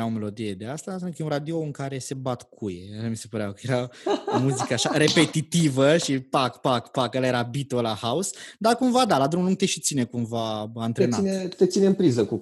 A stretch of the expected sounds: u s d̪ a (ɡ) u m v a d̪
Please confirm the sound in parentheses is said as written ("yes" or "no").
no